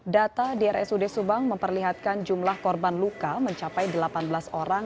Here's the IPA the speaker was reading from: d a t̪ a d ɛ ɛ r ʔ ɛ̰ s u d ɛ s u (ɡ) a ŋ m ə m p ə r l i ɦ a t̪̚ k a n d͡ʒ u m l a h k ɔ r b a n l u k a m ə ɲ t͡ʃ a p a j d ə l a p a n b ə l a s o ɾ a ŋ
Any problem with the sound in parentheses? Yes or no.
yes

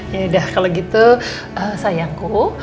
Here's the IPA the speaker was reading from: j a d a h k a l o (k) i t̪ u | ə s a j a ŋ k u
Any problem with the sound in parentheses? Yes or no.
yes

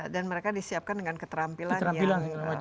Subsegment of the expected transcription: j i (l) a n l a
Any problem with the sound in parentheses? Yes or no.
no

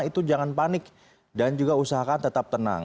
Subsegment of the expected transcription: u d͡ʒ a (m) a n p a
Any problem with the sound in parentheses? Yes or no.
yes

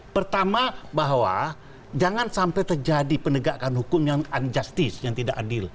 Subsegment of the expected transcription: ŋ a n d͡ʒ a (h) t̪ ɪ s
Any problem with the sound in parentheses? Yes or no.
yes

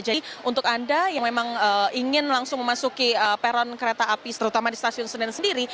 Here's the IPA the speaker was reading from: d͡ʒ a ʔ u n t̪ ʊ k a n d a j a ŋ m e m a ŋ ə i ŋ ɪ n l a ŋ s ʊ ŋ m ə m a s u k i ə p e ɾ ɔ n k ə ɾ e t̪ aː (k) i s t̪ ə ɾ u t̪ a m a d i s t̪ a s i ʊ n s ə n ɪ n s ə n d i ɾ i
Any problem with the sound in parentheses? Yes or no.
yes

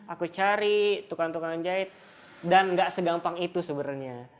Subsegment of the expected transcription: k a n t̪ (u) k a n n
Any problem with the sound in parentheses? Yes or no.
no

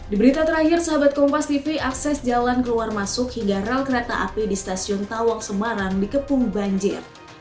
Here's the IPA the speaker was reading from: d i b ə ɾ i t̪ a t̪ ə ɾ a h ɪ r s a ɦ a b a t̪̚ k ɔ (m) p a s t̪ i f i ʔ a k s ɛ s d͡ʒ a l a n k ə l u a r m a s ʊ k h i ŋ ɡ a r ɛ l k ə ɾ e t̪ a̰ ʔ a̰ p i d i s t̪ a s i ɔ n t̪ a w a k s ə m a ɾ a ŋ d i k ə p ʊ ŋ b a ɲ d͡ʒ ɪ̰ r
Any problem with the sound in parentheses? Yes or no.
no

